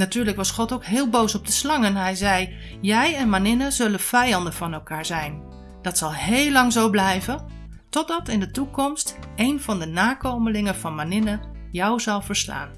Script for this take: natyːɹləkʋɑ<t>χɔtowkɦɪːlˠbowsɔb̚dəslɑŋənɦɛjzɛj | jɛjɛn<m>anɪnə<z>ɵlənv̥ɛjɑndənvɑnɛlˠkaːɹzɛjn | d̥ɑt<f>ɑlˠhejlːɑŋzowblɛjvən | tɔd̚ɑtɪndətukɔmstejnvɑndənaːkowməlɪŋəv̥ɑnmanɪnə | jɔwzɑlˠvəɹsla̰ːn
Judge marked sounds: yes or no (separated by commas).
no, yes, yes, no